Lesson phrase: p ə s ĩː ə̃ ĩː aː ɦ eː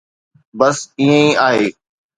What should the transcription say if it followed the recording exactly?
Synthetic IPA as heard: b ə s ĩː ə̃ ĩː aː ɦ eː